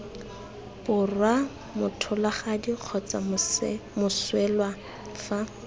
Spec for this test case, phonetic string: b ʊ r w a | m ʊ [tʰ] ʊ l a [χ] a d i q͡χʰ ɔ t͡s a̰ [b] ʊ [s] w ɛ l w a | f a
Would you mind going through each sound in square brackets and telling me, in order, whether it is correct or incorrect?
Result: correct, correct, incorrect: m, correct

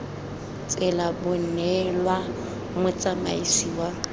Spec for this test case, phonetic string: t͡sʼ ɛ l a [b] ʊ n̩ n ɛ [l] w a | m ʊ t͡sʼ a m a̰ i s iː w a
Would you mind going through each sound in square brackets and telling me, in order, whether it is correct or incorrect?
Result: correct, correct

